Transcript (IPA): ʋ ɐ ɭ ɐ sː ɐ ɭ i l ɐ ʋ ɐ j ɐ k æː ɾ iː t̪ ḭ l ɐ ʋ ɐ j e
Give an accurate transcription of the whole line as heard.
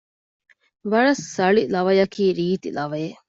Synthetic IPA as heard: ʋ ɐ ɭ ɐ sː ɐ ɭ i l ɐ ʋ ɐ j ɐ k iː ɾ iː t̪ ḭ l ɐ ʋ ɐ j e